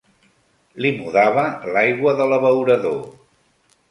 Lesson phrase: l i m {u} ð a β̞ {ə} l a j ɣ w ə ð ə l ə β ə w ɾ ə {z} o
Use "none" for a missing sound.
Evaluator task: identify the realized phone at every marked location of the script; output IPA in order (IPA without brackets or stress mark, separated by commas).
u, ə, ð